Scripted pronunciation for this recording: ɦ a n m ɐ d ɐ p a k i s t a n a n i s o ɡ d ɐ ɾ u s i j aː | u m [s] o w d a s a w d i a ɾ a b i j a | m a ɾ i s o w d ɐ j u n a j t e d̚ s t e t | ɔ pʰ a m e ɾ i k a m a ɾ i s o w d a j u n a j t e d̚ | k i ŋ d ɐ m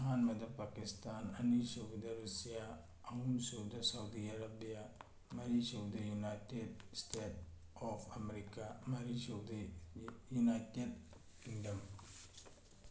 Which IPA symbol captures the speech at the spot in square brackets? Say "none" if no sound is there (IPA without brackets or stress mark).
s